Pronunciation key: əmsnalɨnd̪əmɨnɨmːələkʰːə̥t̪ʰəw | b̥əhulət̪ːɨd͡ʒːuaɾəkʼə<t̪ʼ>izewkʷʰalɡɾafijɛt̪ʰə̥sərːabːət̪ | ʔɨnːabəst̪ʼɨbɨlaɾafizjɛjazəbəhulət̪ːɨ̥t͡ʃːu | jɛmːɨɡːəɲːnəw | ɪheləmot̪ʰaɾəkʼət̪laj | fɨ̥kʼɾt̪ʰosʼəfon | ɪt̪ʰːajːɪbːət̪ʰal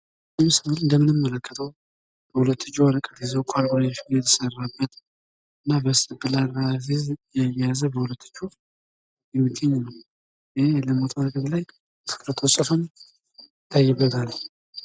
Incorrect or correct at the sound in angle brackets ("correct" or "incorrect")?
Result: incorrect